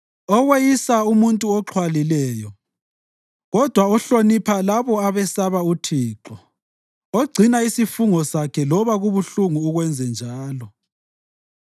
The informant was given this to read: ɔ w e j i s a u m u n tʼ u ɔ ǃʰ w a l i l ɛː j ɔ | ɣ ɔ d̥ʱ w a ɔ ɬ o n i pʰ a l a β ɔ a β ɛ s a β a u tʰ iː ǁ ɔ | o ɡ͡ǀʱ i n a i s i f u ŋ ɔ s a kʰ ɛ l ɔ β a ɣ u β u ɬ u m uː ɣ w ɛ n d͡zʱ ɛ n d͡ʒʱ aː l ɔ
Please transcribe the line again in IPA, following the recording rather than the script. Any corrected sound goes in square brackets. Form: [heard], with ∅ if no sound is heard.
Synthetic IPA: ɔ w e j i s a u m u n tʼ u ɔ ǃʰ w a l i l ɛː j ɔ | ɣ ɔ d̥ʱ w a ɔ ɬ o n i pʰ a l a β ɔ a β ɛ s a β a u tʰ iː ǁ ɔ | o ɡ͡ǀʱ i n a i s i f u ŋ ɔ s a kʰ ɛ l ɔ β a ɣ u β u ɬ u [ŋ] uː ɣ w ɛ n d͡zʱ ɛ n d͡ʒʱ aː l ɔ